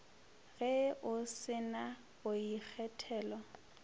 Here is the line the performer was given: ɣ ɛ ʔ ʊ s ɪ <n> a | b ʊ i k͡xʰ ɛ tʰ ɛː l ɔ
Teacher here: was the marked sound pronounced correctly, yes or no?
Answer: yes